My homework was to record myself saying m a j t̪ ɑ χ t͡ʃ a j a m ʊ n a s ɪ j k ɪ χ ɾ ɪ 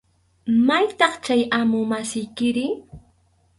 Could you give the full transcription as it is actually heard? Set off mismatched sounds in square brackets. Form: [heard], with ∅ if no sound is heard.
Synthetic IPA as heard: m a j t̪ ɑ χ t͡ʃ a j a m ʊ [m] a s ɪ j k ɪ [∅] ɾ ɪ